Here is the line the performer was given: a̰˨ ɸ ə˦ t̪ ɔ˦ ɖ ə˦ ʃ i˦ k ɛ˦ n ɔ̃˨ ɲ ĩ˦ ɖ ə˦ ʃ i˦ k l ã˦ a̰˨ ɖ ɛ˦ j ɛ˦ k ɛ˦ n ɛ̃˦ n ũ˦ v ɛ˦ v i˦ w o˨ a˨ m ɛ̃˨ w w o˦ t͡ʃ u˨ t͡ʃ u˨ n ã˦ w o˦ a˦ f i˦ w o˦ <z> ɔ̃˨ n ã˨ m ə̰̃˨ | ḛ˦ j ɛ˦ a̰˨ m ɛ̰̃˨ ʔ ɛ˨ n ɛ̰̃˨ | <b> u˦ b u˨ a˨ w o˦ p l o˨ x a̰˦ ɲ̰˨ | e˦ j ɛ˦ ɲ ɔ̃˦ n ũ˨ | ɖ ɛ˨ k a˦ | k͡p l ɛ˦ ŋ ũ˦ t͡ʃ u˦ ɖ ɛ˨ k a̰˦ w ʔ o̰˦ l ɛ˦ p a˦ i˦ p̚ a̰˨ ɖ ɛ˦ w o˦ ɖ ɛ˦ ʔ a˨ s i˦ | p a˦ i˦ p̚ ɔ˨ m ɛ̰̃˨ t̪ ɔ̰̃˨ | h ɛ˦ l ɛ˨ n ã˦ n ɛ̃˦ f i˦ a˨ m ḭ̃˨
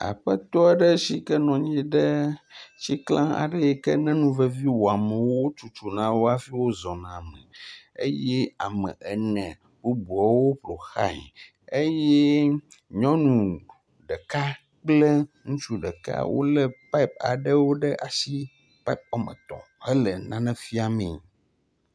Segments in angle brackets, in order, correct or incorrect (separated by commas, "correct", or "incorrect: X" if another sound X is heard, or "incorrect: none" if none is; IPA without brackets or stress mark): correct, correct